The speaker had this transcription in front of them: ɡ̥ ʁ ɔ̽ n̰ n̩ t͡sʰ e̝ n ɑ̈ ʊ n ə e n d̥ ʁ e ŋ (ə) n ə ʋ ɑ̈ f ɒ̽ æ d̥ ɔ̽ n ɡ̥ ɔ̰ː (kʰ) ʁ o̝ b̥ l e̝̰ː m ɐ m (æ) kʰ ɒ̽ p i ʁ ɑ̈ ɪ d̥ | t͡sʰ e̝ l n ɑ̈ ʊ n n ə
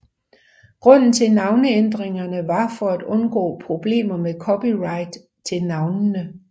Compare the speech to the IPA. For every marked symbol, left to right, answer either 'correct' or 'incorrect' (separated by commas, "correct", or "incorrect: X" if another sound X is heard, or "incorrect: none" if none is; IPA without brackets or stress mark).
incorrect: ɐ, incorrect: pʰ, incorrect: e